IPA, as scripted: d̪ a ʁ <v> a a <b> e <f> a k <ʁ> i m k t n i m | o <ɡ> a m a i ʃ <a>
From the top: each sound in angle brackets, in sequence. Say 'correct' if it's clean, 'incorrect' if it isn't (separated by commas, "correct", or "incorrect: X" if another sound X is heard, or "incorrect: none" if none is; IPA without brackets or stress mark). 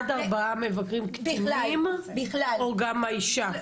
incorrect: b, incorrect: m, incorrect: v, correct, correct, correct